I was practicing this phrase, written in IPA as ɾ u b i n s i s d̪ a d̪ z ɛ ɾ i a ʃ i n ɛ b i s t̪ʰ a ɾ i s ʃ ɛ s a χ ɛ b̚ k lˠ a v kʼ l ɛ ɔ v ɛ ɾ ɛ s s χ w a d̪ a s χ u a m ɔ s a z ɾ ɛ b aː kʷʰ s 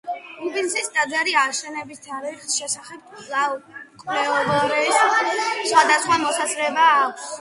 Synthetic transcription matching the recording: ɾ u b i n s i s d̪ a d̪ z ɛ ɾ i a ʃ ɛ n ɛ b i s t̪ʰ a ɾ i χ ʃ ɛ s a χ ɛ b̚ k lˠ a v kʼ l ɛ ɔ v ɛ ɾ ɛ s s χ w a d̪ a s χ w a m ɔ s a z ɾ ɛ b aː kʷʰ s